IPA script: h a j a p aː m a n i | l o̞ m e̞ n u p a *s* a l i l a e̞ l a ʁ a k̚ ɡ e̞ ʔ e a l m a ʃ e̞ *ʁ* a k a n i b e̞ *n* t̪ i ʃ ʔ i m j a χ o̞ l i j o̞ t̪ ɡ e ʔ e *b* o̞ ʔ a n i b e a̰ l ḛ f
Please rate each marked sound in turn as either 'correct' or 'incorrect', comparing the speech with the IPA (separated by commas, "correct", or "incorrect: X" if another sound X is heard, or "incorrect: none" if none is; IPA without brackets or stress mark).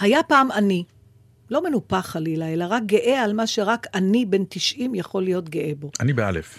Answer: incorrect: χ, correct, correct, correct